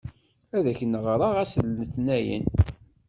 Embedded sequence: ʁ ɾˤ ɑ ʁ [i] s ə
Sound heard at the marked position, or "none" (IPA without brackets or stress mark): æ